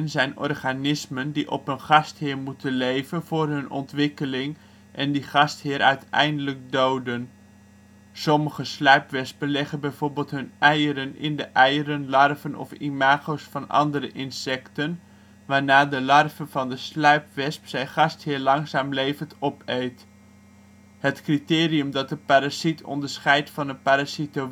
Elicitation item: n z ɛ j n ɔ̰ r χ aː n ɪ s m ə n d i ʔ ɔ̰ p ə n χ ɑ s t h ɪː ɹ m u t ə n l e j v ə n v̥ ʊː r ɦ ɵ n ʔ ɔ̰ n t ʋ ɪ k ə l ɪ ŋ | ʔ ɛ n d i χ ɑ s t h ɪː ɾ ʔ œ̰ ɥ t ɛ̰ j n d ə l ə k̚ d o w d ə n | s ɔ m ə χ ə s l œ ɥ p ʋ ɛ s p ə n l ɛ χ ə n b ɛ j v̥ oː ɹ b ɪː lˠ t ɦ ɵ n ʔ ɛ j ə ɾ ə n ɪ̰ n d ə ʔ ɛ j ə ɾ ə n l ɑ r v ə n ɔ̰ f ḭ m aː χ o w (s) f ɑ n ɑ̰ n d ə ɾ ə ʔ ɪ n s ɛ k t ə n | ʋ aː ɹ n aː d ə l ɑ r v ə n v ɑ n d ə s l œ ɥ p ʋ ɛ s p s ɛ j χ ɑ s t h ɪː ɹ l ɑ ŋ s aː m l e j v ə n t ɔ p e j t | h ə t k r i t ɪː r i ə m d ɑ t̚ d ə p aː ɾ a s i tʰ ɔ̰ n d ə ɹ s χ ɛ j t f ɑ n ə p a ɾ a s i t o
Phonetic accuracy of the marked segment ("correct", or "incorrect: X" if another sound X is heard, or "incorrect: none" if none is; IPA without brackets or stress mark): correct